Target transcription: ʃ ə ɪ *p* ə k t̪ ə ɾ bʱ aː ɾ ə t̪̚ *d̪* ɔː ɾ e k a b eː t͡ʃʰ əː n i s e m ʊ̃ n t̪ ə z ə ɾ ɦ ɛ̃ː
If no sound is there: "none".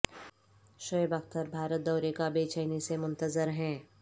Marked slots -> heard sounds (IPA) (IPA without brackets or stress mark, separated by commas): b, d̪